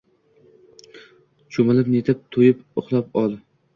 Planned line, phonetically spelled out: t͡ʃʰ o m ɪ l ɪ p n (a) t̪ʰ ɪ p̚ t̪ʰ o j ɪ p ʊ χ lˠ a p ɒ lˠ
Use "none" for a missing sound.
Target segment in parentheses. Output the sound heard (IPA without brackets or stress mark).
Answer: e